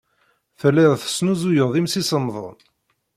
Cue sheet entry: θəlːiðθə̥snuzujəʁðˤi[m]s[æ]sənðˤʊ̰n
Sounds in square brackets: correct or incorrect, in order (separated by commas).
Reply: correct, incorrect